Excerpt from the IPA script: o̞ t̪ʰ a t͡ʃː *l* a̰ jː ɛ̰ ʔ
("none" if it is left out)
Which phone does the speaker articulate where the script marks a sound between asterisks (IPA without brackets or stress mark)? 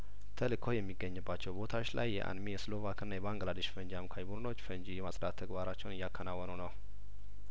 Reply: l